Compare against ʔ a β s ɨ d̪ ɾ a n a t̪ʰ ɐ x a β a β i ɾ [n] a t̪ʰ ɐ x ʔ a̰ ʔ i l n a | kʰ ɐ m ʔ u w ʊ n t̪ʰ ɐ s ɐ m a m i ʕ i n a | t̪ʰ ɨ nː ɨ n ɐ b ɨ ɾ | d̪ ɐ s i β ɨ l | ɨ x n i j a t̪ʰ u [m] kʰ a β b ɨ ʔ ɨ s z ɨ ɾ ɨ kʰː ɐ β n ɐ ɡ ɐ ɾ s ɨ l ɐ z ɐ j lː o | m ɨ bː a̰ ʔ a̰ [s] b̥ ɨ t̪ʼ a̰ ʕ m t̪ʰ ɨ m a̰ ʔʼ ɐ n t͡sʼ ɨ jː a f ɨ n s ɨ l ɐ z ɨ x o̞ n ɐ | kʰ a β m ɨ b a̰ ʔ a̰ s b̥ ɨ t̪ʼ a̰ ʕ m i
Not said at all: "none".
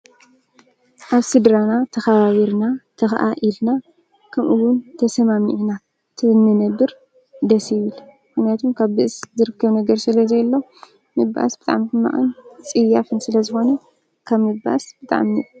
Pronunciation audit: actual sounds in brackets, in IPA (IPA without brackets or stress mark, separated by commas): n, m, s